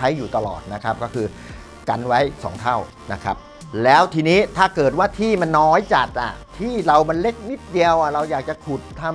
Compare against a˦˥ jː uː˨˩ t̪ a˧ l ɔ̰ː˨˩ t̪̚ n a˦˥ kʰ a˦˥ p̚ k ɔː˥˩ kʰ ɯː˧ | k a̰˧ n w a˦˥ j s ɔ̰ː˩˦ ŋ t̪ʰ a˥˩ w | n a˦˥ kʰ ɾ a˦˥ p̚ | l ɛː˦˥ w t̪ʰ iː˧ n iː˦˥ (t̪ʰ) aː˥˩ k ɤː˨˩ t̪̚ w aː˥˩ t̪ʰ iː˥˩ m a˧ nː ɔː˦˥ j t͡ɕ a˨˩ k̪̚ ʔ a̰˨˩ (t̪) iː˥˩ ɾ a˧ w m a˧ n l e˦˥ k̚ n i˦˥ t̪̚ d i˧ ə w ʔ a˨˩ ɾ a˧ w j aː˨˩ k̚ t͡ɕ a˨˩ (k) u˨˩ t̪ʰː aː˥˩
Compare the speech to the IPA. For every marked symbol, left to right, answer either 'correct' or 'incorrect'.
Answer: correct, incorrect, incorrect

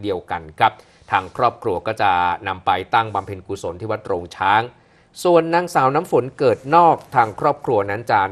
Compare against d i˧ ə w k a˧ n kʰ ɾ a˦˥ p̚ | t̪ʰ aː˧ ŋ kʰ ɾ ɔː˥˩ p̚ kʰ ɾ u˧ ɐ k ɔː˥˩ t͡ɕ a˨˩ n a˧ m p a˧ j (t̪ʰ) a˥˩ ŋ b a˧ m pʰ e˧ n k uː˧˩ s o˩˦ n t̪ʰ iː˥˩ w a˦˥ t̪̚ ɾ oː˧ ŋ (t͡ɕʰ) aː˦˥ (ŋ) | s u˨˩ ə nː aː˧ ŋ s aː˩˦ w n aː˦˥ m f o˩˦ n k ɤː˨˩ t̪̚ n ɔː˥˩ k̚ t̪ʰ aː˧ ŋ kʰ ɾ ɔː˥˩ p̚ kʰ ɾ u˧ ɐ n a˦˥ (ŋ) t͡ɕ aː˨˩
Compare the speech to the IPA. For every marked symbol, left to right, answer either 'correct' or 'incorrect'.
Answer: incorrect, correct, correct, incorrect

